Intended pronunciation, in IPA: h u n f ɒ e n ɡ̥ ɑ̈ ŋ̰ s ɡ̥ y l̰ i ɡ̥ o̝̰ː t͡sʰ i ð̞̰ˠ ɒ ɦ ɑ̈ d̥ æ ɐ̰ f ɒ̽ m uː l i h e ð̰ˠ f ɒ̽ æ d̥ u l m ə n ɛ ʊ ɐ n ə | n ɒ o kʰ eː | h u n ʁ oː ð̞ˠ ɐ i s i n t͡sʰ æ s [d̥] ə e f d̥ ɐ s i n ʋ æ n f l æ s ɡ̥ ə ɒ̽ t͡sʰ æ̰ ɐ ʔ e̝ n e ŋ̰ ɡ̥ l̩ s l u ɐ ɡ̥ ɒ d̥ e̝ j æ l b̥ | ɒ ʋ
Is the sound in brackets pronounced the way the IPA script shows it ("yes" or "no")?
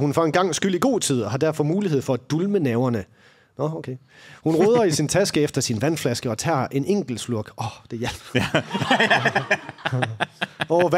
no